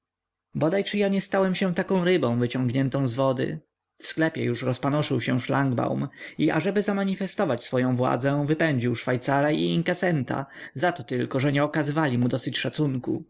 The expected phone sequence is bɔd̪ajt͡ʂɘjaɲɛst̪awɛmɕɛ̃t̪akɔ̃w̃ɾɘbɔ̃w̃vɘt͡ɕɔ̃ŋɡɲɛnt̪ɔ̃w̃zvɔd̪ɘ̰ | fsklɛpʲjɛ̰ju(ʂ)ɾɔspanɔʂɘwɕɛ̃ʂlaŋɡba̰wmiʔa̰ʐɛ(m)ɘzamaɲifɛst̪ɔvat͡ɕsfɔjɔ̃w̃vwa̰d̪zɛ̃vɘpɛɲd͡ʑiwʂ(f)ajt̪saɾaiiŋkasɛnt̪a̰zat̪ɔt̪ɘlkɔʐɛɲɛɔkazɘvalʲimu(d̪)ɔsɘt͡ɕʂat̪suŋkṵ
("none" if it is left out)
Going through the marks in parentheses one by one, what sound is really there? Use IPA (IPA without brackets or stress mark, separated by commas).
ʂ, b, f, d̪